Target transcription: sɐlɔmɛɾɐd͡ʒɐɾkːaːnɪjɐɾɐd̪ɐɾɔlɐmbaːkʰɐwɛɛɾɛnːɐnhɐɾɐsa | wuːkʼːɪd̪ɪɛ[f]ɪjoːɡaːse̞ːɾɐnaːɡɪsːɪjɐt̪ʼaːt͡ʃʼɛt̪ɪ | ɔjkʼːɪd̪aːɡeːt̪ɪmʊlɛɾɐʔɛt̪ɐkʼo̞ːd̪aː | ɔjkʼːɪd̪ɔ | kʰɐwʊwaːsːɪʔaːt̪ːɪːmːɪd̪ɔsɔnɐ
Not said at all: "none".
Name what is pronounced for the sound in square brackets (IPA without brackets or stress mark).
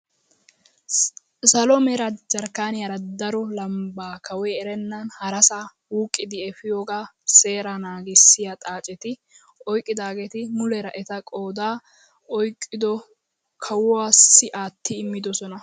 f